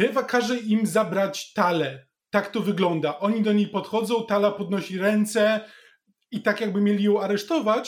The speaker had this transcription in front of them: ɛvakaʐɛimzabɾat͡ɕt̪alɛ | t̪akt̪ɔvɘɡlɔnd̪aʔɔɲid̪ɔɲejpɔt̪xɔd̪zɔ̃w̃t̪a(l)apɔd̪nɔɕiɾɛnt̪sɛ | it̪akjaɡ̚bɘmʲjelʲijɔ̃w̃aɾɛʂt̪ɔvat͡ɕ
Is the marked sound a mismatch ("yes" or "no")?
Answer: no